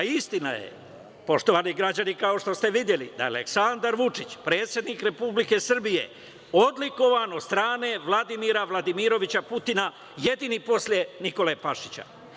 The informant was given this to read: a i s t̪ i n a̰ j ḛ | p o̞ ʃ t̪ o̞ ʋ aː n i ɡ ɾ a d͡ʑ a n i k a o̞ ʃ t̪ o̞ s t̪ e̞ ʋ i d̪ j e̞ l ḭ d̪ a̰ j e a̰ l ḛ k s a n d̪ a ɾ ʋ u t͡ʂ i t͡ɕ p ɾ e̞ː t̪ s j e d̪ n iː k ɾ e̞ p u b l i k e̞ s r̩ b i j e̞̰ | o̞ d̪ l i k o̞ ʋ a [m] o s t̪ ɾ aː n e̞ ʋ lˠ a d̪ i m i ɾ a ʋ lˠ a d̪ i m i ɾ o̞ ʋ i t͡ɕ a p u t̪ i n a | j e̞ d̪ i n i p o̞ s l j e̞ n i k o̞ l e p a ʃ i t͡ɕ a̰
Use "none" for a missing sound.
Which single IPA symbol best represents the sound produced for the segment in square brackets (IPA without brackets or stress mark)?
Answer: n